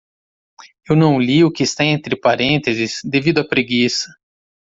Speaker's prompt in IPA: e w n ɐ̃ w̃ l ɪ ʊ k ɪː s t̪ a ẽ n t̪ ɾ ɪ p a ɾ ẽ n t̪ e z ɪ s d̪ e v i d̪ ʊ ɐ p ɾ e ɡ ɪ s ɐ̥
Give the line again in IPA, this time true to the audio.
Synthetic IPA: e w n ɐ̃ w̃ l i ʊ k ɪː s t̪ a ẽ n t̪ ɾ ɪ p a ɾ ẽ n t̪ e z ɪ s d̪ e v i d̪ ʊ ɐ p ɾ e ɡ i s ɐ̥